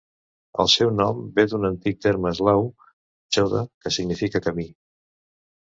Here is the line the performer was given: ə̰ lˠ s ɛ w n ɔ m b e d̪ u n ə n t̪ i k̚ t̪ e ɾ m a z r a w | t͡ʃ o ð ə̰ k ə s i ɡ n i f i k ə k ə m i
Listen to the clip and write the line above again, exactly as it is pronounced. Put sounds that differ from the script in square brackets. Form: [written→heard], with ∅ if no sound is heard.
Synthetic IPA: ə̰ lˠ s ɛ w n ɔ m b e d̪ u n ə n t̪ i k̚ t̪ e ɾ m [a→ə] z [r→l] a w | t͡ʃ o ð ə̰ k ə s i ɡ n i f i k ə k ə m i